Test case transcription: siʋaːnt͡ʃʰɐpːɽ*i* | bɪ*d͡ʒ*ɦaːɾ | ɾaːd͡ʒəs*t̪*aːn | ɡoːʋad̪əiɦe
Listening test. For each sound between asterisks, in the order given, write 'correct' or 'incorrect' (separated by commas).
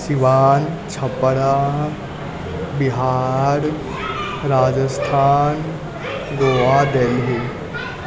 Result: incorrect, incorrect, incorrect